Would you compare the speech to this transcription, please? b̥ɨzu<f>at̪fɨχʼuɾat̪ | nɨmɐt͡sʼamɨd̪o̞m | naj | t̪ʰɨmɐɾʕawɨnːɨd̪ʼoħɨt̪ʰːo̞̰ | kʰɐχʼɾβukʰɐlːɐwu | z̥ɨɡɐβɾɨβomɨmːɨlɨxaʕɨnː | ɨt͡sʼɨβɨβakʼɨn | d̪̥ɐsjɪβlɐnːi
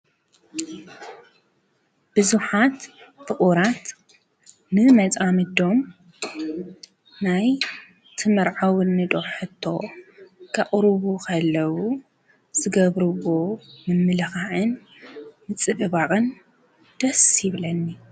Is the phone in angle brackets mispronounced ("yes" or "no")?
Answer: yes